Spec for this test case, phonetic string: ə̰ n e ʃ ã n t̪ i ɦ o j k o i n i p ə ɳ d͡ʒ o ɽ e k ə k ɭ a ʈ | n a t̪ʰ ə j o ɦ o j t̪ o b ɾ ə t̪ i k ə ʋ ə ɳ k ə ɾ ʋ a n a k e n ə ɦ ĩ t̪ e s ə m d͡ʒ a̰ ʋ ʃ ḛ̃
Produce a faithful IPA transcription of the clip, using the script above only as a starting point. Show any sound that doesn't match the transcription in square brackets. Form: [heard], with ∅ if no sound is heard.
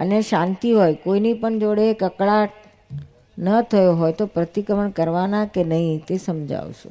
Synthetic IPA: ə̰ n e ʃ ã n t̪ i ɦ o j k o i n i p ə ɳ d͡ʒ o ɽ e k ə k ɭ a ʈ | n [ə] t̪ʰ ə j o ɦ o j t̪ o [p] ɾ ə t̪ i k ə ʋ ə ɳ k ə ɾ ʋ a n a k e n ə ɦ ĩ t̪ e s ə m d͡ʒ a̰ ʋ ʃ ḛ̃